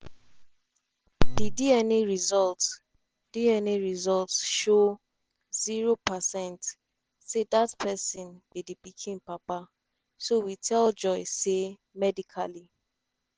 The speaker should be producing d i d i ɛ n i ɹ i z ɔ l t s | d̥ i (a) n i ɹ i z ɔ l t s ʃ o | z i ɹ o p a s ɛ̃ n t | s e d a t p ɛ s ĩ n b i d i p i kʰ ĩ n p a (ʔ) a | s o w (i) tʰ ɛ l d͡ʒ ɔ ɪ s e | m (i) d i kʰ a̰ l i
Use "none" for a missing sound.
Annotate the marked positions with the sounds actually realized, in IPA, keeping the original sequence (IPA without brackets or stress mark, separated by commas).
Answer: ɛ, p, i, ɛ